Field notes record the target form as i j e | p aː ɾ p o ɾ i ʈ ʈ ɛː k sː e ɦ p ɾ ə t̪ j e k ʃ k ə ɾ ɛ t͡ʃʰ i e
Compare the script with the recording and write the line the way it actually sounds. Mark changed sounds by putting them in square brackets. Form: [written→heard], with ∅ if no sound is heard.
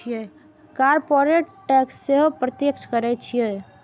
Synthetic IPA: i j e | [p→k] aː ɾ p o ɾ [i→e] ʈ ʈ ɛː k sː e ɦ p ɾ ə t̪ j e k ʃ k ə ɾ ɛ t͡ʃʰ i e